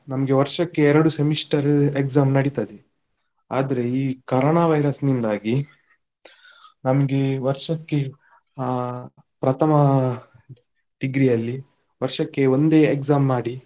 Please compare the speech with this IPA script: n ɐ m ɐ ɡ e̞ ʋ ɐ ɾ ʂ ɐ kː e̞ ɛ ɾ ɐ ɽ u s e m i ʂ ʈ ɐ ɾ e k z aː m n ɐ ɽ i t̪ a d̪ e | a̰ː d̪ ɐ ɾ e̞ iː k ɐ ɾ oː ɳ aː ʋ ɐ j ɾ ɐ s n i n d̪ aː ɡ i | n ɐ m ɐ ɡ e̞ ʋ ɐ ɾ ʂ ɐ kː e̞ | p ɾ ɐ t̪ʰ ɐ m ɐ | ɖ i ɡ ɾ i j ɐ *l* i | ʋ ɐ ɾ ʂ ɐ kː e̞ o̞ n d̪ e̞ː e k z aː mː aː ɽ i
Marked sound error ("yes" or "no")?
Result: yes